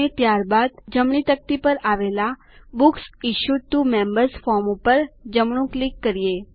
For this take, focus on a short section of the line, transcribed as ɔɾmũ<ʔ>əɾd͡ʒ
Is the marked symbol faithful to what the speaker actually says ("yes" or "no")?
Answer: no